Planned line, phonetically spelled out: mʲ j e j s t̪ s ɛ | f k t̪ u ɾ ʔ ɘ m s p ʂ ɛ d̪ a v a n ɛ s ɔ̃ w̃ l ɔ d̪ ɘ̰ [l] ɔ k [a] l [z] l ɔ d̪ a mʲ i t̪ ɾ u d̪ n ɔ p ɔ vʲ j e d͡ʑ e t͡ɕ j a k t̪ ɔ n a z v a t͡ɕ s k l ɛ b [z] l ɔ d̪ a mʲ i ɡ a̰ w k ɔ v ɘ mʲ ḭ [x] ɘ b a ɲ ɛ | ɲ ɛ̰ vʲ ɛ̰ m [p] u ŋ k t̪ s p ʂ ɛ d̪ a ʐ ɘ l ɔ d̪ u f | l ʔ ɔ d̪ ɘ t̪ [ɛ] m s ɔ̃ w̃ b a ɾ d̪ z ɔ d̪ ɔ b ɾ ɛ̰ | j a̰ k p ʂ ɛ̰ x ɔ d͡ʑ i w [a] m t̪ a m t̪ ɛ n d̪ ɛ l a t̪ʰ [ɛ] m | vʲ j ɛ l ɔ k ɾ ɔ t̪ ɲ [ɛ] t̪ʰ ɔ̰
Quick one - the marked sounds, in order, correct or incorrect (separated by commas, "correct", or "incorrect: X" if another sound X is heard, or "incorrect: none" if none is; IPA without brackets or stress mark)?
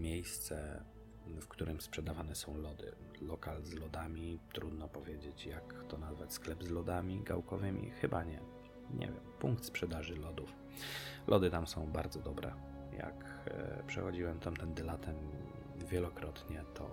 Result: correct, correct, correct, correct, correct, correct, incorrect: a, incorrect: ɛ, correct, correct